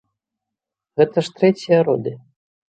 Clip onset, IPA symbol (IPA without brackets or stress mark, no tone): ɣ